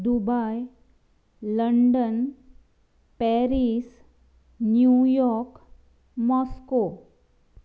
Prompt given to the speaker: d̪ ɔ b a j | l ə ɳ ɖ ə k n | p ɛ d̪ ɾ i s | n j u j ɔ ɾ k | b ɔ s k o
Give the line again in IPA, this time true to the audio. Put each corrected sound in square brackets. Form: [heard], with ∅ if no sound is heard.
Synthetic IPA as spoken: d̪ [u] b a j | l ə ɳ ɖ ə [∅] n | p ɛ [∅] ɾ i s | n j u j ɔ ɾ k | [m] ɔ s k o